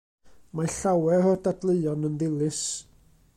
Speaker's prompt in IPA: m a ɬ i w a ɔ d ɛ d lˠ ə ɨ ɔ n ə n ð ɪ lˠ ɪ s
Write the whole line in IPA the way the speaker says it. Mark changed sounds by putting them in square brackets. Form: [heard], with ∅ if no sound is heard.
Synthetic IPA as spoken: m a ɬ [a] w [ɛ] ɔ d [a] d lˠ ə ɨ ɔ n ə n ð ɪ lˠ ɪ s